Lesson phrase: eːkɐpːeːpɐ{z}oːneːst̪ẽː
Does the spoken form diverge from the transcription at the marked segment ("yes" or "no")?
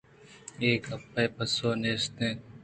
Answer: yes